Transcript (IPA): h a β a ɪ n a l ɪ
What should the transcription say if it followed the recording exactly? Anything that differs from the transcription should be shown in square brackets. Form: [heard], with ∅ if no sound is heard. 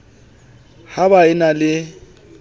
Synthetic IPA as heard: h a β a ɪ n a l ɪ